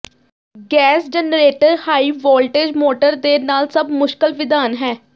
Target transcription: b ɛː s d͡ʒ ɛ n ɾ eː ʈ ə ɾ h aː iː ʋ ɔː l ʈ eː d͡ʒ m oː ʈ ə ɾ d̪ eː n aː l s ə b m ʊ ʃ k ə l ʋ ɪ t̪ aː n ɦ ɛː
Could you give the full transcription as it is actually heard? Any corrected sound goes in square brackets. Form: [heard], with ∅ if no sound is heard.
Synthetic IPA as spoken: [ɡ] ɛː s d͡ʒ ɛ n ɾ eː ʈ ə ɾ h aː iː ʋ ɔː l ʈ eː d͡ʒ m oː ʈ ə ɾ d̪ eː n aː l s ə b m ʊ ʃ k ə l ʋ ɪ [d̪] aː n ɦ ɛː